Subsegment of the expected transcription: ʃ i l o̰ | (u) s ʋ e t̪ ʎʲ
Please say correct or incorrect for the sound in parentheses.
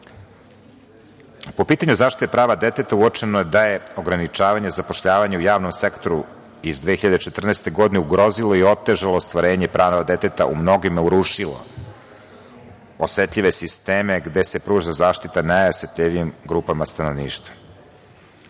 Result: incorrect